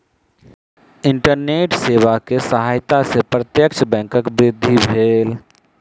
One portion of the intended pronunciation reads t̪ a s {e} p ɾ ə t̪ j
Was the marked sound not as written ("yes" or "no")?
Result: no